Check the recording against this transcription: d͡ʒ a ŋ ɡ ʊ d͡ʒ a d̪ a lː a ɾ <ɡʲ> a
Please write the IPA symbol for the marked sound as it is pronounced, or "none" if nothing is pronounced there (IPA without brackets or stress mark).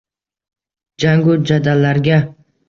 ɡʲ